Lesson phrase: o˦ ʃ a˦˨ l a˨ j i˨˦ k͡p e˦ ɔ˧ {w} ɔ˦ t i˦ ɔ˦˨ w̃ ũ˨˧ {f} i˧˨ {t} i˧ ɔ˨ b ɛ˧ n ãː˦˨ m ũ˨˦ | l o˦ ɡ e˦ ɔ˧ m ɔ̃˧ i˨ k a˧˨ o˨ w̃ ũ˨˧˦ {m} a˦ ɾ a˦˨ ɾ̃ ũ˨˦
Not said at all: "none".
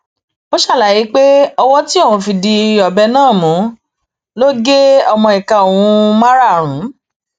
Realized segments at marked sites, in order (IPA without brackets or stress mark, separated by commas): w, f, d, m